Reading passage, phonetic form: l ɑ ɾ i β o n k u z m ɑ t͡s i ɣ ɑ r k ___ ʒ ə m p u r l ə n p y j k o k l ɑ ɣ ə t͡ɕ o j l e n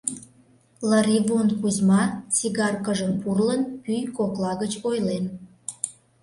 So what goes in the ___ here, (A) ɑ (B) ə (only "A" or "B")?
B